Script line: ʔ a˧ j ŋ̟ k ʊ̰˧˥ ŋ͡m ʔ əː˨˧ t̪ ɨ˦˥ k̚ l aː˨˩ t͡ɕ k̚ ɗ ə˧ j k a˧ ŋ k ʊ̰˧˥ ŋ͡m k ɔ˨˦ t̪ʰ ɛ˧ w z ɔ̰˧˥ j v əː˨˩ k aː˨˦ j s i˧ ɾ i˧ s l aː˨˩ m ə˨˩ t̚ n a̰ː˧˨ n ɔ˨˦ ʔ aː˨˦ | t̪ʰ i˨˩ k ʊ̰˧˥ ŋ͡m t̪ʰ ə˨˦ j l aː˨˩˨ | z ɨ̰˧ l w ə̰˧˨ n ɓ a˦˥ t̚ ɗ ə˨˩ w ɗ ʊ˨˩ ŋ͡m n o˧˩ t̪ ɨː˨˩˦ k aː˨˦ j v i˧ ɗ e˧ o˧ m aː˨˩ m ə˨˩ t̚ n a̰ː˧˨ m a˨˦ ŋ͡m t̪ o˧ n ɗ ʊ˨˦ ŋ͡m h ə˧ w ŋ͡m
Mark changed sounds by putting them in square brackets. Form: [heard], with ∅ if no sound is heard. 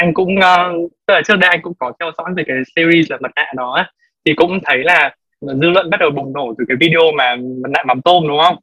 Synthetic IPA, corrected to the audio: ʔ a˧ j ŋ̟ k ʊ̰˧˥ ŋ͡m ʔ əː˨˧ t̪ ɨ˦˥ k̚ l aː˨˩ t͡ɕ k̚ ɗ ə˧ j [ʔ] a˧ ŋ k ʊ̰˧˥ ŋ͡m k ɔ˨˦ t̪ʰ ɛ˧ w z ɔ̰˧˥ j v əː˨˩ k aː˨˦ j s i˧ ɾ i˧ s l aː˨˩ m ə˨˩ t̚ n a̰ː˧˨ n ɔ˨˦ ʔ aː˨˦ | t̪ʰ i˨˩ k ʊ̰˧˥ ŋ͡m t̪ʰ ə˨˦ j l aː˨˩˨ | z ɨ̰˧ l w ə̰˧˨ n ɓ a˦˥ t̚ ɗ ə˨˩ w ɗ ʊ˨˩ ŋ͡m n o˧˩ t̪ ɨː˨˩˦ k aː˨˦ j v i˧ ɗ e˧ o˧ m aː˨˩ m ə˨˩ t̚ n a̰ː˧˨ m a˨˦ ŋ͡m t̪ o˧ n ɗ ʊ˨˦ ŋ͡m h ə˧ w ŋ͡m